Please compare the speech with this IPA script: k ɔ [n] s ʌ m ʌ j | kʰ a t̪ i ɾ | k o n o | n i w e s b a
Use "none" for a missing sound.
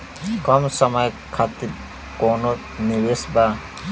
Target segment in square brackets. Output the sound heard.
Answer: m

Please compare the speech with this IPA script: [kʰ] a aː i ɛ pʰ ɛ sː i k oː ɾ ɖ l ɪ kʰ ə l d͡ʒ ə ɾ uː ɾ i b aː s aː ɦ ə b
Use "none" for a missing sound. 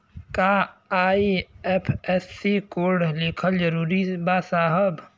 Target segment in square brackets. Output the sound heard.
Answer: k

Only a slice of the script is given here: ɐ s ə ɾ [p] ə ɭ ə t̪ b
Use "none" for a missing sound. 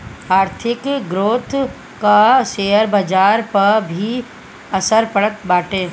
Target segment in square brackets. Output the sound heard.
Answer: p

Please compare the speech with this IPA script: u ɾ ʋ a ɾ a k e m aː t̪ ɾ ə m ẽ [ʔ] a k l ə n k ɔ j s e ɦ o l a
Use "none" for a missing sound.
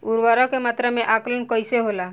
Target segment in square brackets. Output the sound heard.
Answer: ʔ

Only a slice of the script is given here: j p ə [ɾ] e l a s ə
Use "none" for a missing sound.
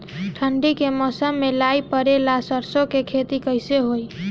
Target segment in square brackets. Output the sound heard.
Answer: ɾ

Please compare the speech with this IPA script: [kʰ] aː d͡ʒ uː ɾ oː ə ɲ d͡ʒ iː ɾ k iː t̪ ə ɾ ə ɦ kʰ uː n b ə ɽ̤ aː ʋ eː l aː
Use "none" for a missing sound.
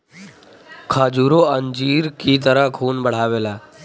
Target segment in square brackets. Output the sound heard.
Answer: kʰ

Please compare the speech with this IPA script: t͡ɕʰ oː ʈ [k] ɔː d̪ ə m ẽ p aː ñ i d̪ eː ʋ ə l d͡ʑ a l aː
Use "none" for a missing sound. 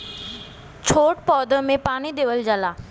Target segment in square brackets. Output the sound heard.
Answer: p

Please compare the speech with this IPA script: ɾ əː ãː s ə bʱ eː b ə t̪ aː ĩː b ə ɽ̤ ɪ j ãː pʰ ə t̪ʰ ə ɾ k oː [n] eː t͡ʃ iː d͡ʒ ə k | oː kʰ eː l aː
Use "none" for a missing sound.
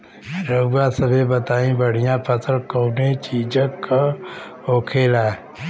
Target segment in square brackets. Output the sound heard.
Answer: n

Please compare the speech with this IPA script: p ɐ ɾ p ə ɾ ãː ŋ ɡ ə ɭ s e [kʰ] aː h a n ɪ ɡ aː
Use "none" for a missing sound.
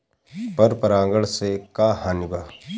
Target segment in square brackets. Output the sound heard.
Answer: k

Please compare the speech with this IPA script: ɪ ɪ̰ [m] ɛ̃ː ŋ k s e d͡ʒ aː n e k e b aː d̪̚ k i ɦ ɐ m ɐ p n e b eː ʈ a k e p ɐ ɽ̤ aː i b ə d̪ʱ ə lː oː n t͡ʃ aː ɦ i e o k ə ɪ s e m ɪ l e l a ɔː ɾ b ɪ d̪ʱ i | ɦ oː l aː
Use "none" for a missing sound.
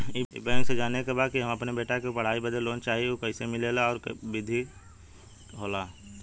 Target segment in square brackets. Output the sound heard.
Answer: b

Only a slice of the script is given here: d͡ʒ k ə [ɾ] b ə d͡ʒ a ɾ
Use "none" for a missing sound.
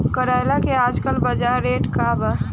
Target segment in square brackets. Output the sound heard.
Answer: l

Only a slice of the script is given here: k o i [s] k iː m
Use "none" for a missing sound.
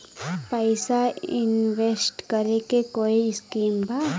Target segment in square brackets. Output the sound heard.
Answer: s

